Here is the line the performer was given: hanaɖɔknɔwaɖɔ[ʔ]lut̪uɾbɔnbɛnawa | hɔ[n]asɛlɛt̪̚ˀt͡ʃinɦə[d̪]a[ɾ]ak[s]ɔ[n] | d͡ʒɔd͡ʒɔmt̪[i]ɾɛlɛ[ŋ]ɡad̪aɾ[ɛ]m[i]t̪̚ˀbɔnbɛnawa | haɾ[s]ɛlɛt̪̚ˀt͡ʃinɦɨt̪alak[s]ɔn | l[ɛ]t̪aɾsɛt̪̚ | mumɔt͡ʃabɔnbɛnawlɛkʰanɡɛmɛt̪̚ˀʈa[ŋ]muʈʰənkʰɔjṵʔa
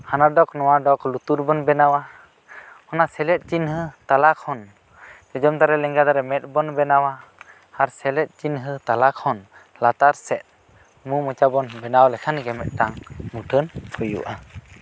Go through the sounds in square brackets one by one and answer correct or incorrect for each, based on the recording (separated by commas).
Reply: incorrect, correct, incorrect, incorrect, incorrect, correct, incorrect, correct, correct, incorrect, correct, incorrect, incorrect, correct